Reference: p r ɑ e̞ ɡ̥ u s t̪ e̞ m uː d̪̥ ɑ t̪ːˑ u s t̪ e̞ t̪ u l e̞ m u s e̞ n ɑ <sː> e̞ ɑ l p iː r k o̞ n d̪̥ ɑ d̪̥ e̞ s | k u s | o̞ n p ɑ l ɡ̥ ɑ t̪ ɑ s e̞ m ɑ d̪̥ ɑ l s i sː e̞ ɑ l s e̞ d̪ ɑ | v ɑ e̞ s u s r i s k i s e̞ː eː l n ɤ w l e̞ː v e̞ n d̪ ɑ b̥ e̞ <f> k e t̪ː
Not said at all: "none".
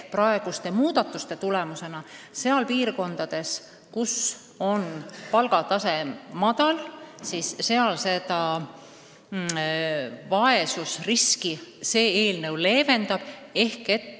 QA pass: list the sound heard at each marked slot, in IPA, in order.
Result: s, h

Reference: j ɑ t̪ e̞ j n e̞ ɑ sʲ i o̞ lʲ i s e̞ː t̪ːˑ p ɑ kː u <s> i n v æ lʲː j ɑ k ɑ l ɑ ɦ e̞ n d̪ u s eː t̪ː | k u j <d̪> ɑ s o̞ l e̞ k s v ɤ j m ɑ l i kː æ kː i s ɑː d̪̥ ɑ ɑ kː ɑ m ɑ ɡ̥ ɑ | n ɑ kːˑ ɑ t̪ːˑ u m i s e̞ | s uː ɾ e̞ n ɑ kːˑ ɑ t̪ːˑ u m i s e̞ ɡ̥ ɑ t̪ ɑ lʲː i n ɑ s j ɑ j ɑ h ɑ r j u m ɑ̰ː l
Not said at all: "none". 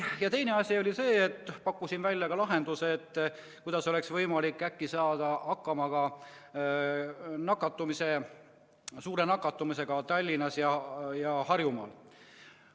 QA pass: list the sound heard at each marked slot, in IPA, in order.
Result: s, d̪

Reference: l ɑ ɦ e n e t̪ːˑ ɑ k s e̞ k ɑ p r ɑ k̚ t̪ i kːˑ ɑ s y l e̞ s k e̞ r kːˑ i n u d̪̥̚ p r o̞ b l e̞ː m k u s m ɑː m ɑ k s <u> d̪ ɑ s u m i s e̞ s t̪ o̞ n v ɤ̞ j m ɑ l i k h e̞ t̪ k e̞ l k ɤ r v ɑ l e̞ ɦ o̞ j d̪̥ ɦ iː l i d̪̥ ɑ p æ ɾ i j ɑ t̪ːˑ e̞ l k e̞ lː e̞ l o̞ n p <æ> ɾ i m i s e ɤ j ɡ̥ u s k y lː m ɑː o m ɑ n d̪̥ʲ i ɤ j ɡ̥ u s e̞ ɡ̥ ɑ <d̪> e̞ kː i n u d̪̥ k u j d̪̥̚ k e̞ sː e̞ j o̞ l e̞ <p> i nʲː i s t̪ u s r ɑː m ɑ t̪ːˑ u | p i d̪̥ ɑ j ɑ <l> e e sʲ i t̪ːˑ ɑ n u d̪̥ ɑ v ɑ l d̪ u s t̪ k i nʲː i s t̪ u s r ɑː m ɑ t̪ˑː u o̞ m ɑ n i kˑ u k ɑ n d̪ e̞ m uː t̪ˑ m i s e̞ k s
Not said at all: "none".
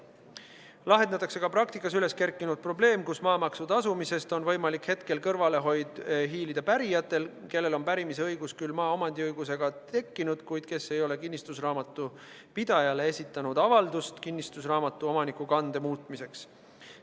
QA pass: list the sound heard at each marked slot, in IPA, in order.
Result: u, æ, t̪, k, l

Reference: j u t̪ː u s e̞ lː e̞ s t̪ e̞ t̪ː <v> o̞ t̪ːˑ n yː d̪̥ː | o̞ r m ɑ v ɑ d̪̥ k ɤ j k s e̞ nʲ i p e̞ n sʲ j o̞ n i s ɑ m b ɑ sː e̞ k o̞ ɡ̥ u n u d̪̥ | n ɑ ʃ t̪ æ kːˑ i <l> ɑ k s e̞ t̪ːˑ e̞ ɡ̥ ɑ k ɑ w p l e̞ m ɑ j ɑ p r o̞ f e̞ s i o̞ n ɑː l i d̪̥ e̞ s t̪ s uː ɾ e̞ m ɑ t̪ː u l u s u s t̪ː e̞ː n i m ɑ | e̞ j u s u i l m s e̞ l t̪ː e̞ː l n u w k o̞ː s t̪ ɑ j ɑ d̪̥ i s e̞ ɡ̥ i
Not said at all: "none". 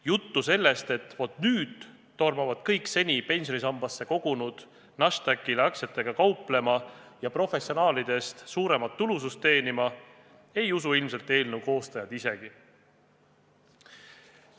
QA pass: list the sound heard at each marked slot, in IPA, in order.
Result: v, l

